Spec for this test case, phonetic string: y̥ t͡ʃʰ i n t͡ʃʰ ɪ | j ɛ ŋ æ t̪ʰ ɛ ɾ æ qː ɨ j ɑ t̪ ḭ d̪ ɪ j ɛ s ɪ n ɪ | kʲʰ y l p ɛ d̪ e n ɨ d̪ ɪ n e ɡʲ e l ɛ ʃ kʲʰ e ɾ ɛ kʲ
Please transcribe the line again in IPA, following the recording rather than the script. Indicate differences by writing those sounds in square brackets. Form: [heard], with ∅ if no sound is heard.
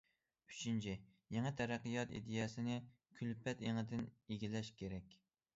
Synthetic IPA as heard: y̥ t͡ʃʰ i n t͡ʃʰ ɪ | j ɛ ŋ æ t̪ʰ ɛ ɾ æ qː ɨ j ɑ t̪ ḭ d̪ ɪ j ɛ s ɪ n ɪ | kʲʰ y l p ɛ [t̪] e [ŋ] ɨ d̪ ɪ n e ɡʲ [i] l ɛ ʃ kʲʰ e ɾ ɛ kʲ